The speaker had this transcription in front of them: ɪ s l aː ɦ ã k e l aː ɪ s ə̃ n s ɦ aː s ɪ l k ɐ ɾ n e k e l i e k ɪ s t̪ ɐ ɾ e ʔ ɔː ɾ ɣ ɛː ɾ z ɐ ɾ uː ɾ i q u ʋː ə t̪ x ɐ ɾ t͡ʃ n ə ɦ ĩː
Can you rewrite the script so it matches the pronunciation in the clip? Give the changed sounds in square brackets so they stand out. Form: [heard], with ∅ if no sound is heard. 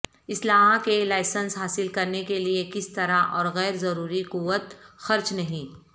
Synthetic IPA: ɪ s l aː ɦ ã k e l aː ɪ s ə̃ n s ɦ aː s ɪ l k ɐ ɾ n e k e l i e k ɪ s t̪ ɐ ɾ [a] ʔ ɔː ɾ ɣ ɛː ɾ z ɐ ɾ uː ɾ i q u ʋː ə t̪ x ɐ ɾ t͡ʃ n [ɐ] ɦ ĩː